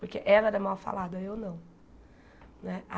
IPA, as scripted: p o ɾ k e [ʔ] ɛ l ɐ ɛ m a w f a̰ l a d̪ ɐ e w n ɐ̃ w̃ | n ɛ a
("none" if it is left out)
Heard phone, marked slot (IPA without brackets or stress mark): ʔ